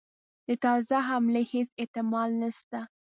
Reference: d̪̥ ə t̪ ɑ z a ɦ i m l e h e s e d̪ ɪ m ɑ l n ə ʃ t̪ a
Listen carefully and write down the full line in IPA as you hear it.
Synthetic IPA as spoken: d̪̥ ə t̪ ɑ z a ɦ a m l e h e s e t̪ ɪ m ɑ l n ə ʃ t̪ a